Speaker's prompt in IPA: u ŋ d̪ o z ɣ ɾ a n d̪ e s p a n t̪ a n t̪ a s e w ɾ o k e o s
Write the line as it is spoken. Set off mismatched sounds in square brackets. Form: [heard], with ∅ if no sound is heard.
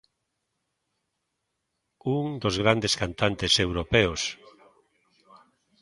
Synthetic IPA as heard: u ŋ d̪ o z ɣ ɾ a n d̪ e s [k] a n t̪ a n t̪ [e] s e w ɾ o [p] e o s